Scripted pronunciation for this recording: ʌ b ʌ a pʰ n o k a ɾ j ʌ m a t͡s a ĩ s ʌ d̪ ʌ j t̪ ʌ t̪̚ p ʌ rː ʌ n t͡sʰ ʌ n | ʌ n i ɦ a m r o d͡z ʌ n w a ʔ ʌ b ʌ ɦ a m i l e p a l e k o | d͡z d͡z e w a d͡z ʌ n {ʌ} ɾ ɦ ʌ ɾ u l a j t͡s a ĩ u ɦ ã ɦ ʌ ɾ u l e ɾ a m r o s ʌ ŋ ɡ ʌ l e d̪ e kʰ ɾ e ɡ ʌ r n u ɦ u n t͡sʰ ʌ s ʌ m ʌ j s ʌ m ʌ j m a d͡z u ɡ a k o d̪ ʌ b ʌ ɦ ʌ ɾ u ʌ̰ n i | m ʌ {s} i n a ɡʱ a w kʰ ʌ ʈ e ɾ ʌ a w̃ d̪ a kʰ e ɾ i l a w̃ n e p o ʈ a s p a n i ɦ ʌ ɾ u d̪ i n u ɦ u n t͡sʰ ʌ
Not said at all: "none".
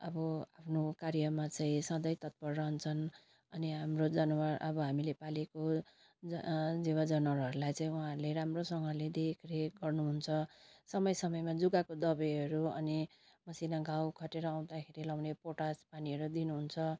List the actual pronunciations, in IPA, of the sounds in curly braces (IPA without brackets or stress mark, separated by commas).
ʌ, s